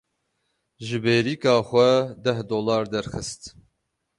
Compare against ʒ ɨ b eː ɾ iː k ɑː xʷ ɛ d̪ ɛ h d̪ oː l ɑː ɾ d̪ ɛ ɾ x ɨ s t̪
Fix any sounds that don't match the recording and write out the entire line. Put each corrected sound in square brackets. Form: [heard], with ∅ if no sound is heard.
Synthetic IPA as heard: ʒ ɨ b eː ɾ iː k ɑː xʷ ɛ d̪ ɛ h d̪ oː l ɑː ɾ d̪ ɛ ɾ x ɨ s t̪